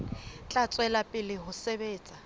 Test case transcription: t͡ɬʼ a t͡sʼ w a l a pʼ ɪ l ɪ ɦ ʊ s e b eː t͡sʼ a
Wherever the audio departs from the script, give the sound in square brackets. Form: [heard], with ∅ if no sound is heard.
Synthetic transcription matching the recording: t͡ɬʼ a t͡sʼ w [ɛ] l a pʼ ɪ l ɪ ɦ ʊ s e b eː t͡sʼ a